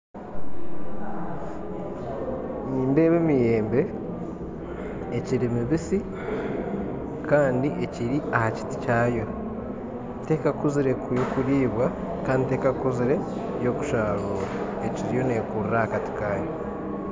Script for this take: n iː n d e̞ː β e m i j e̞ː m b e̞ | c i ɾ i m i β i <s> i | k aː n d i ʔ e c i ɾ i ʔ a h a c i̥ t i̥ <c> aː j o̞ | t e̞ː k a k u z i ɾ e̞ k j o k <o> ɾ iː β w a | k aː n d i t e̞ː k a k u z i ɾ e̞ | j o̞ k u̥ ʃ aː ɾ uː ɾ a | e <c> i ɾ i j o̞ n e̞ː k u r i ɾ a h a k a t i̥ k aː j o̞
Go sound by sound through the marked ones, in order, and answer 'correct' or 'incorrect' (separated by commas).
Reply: correct, correct, incorrect, correct